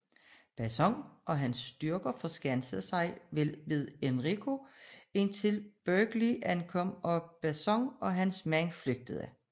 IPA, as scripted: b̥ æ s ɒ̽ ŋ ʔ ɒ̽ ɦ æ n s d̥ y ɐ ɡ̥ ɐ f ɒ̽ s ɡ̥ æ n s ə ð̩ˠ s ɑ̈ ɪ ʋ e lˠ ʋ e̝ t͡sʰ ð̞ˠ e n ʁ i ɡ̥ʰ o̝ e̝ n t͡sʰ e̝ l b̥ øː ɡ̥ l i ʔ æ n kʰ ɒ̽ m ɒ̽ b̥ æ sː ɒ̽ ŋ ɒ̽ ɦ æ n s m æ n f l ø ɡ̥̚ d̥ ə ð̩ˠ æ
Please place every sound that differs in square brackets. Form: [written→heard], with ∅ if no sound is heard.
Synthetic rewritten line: b̥ æ s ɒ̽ ŋ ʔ ɒ̽ ɦ æ n s d̥ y ɐ ɡ̥ ɐ f ɒ̽ s ɡ̥ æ n s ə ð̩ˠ s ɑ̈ ɪ ʋ e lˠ ʋ e̝ [t͡sʰ→∅] ð̞ˠ e n ʁ i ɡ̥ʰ o̝ e̝ n t͡sʰ e̝ l b̥ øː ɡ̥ l i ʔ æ n kʰ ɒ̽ m ɒ̽ b̥ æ [sː→s] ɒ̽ ŋ ɒ̽ ɦ æ n s m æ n f l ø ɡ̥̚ d̥ ə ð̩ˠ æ